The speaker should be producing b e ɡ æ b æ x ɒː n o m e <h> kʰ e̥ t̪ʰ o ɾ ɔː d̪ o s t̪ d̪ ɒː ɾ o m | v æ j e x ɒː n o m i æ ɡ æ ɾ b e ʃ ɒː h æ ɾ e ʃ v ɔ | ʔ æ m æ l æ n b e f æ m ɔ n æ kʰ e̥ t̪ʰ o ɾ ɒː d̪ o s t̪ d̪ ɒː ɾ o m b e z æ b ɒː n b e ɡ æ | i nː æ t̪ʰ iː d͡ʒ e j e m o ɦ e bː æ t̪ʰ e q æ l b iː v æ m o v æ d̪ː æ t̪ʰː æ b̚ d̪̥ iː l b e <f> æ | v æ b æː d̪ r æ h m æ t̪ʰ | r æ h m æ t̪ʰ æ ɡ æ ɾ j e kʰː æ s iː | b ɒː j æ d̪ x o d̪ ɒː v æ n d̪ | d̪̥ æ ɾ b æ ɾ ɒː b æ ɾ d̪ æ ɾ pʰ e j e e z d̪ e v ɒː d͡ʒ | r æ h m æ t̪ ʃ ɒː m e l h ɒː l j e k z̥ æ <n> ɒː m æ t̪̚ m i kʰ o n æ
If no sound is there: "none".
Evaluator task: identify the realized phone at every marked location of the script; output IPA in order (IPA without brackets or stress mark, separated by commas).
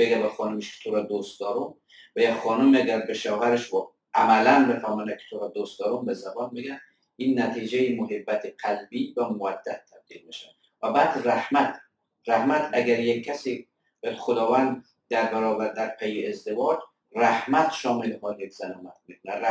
ʃ, ʃ, n